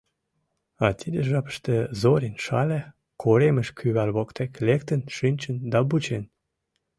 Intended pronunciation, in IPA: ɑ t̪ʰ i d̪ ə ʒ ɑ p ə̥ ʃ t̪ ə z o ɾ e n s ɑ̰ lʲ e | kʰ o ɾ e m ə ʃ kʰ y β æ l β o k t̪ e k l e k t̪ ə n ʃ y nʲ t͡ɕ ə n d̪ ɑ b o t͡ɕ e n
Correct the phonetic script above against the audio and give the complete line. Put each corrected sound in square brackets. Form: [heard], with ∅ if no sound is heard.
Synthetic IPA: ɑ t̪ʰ i d̪ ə ʒ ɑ p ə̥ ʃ t̪ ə z o ɾ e n [ʃ] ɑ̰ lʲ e | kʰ o ɾ e m ə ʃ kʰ y β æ l β o k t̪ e k l e k t̪ ə n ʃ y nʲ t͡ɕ ə n d̪ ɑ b [u] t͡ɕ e n